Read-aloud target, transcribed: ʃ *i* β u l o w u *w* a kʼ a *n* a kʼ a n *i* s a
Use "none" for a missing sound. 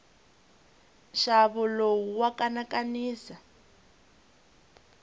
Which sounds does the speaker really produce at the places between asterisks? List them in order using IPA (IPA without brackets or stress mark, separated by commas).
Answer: a, w, n, iː